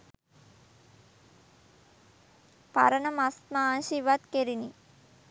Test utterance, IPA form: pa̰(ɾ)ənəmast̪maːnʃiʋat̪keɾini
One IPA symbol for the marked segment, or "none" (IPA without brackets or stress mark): ɾ